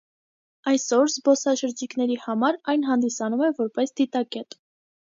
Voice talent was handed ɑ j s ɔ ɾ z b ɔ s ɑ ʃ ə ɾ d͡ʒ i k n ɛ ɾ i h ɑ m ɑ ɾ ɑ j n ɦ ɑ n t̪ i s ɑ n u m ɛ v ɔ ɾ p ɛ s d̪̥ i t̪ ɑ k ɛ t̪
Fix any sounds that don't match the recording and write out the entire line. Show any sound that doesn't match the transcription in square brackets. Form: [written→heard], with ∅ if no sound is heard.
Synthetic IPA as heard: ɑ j s ɔ ɾ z b ɔ s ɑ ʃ ə ɾ d͡ʒ i k n ɛ ɾ i h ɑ m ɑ ɾ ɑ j n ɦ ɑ n [t̪→d̪] i s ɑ n u m ɛ v ɔ ɾ p ɛ s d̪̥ i t̪ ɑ k ɛ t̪